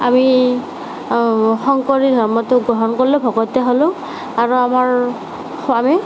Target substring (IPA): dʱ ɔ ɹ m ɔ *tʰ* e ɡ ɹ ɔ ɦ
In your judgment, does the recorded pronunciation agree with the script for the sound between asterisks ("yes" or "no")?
no